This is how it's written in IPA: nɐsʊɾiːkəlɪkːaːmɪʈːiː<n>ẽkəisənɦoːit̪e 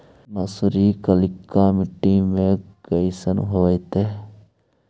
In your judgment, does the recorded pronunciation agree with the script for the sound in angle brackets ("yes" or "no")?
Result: no